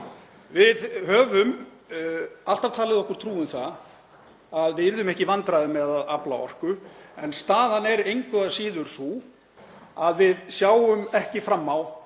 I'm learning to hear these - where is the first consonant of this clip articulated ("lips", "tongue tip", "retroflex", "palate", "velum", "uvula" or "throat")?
lips